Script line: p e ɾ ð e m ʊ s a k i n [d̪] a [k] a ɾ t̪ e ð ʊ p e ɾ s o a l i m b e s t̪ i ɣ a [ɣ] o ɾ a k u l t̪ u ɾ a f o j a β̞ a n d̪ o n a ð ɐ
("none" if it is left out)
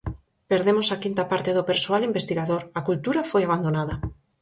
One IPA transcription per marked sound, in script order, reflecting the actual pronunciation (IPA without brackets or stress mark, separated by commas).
t̪, p, ð